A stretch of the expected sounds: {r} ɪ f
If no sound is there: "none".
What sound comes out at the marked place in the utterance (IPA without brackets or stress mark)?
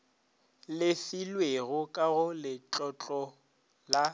l